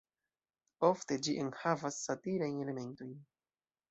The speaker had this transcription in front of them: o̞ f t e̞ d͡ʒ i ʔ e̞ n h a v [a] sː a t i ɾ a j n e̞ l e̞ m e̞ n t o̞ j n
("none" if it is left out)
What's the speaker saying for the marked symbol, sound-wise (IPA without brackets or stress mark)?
a